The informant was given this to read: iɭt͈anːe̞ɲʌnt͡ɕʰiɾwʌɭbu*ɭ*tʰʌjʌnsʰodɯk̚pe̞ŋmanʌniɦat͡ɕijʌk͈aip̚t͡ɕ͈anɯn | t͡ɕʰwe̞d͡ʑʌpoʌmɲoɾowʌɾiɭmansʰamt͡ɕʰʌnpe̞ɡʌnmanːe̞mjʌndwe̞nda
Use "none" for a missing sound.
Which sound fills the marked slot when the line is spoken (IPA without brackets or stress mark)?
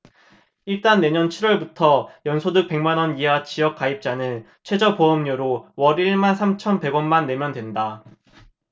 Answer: none